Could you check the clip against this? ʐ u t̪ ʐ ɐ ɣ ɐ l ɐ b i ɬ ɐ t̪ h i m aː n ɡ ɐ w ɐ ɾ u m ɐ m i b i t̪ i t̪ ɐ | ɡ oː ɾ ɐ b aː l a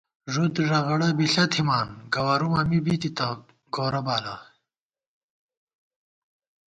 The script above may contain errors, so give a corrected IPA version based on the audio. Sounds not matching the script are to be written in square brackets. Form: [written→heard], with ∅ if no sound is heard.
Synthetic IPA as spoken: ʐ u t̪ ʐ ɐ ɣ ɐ [l→ɽ] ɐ b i ɬ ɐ t̪ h i m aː n ɡ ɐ w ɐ ɾ u m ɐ m i b i t̪ i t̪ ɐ | ɡ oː ɾ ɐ b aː l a